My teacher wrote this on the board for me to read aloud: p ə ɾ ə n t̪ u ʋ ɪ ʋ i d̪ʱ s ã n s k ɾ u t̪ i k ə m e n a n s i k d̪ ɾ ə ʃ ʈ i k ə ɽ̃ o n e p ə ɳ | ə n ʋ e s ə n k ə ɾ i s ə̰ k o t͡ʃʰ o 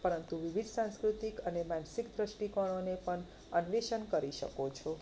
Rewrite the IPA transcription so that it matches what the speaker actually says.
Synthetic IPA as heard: p ə ɾ ə n t̪ u ʋ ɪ ʋ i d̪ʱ s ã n s k ɾ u t̪ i k ə n e m a n s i k d̪ ɾ ə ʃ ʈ i k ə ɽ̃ o n e p ə ɳ | ə n ʋ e ʃ ə n k ə ɾ i ʃ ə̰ k o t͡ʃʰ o